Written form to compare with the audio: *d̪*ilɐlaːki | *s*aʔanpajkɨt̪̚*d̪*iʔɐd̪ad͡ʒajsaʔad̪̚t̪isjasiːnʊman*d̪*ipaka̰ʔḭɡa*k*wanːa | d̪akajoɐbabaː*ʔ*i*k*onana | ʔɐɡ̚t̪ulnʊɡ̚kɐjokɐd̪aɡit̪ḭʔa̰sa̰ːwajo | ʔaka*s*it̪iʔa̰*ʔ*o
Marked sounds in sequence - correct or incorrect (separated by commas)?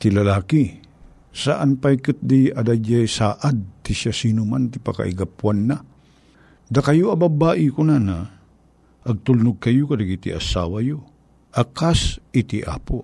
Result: incorrect, correct, correct, incorrect, incorrect, correct, correct, correct, incorrect